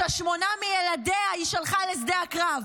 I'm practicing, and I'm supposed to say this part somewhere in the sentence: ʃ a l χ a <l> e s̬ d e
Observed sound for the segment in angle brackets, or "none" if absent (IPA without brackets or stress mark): l